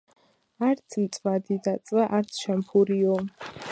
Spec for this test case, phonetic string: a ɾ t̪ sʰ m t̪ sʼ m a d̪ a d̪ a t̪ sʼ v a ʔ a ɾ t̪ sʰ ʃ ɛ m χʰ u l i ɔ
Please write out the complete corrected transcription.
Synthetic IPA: a ɾ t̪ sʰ m t̪ sʼ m a d̪ i d̪ a t̪ sʼ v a ʔ a ɾ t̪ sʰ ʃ ɛ m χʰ u ɾ i ɔ